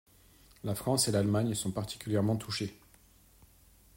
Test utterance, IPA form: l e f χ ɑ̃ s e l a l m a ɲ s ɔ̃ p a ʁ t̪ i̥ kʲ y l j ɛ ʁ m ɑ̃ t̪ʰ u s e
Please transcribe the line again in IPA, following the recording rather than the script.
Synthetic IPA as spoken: l a f χ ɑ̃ s e l a l m a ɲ s ɔ̃ p a ʁ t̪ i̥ kʲ y l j ɛ ʁ m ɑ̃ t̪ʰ u ʃ e

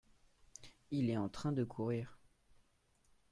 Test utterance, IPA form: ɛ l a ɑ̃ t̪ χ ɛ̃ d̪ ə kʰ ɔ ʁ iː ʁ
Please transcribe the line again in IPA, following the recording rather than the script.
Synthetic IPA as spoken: i l ɛ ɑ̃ t̪ χ ɛ̃ d̪ ə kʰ u ʁ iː ʁ

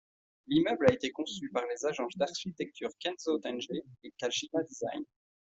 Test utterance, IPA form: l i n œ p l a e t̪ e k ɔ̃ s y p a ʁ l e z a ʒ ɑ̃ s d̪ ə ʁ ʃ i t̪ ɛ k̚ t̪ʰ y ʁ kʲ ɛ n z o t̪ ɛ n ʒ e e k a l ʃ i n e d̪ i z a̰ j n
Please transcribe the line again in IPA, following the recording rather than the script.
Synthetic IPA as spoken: l i m œ b l a e t̪ e k ɔ̃ s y p a ʁ l e z a ʒ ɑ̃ s d̪ a ʁ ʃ i t̪ ɛ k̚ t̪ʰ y ʁ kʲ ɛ n z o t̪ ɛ n ʒ e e k a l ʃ i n a d̪ i z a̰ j n

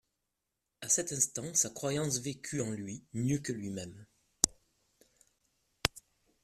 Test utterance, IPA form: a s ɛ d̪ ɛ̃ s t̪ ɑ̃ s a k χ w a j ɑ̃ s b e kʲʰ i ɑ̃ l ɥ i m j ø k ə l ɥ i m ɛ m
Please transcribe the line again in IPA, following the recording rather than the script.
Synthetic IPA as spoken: a s ɛ t̪ ɛ̃ s t̪ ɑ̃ s a k χ w a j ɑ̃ s v e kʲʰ y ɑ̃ l ɥ i m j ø k ə l ɥ i m ɛ m

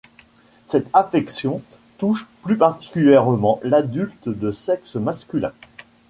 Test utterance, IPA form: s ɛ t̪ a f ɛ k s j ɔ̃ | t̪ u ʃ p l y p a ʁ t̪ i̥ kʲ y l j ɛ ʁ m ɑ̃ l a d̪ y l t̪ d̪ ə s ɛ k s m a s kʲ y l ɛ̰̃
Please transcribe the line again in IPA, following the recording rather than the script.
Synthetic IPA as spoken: s ɛ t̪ a f ɛ k s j ɔ̃ | t̪ u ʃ p l y p a ʁ t̪ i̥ kʲ y l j ɛ ʁ m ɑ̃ l a d̪ y l t̪ d̪ ə s ɛ k s m a s kʲ y l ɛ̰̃

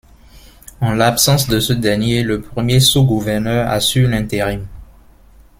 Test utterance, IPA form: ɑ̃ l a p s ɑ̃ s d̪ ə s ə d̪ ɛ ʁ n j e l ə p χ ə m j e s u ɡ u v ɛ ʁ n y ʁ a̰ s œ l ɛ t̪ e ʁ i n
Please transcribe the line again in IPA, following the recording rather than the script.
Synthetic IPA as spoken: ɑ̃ l a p s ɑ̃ s d̪ ə s ə d̪ ɛ ʁ n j e l ə p χ ə m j e s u ɡ u v ɛ ʁ n œ ʁ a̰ s y l ɛ̃ t̪ e ʁ i m

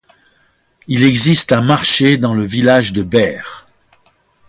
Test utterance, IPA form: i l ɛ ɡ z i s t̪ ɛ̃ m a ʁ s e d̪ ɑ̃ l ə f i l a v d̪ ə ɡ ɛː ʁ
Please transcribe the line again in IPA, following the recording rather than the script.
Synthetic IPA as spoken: i l ɛ ɡ z i s t̪ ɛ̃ m a ʁ ʃ e d̪ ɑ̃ l ə v i l a ʒ d̪ ə b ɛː ʁ

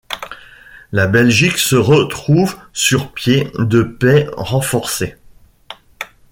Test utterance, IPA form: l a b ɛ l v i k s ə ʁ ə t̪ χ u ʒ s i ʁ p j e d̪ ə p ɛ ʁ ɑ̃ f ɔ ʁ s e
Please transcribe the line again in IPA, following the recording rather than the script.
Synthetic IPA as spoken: l a b ɛ l ʒ i k s ə ʁ ə t̪ χ u v s y ʁ p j e d̪ ə p ɛ ʁ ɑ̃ f ɔ ʁ s e

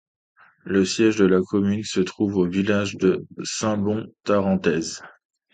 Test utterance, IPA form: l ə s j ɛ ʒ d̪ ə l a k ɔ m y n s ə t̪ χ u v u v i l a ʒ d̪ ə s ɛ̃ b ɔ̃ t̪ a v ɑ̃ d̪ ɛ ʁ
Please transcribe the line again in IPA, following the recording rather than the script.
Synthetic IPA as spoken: l ə s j ɛ ʒ d̪ ə l a k ɔ m y n s ə t̪ χ u v o v i l a ʒ d̪ ə s ɛ̃ b ɔ̃ t̪ a ʁ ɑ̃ t̪ ɛ z

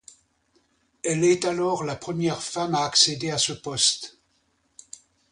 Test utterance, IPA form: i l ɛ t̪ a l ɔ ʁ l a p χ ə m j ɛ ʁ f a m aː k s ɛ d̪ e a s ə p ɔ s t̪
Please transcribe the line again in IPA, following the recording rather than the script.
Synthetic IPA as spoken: ɛ l ɛ t̪ a l ɔ ʁ l a p χ ə m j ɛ ʁ f a m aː k s e d̪ e a s ə p ɔ s t̪

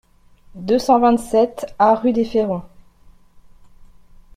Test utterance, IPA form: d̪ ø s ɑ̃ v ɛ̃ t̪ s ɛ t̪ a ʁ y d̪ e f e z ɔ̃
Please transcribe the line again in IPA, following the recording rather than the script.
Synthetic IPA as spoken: d̪ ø s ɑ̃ v ɛ̃ t̪ s ɛ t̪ a ʁ y d̪ e f e ʁ ɔ̃

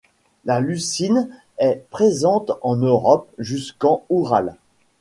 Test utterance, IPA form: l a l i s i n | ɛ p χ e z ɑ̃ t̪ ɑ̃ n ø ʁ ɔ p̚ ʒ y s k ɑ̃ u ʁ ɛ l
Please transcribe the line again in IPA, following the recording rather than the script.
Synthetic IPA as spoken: l a l y s i n | ɛ p χ e z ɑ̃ t̪ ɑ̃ n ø ʁ ɔ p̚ ʒ y s k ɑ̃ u ʁ a l

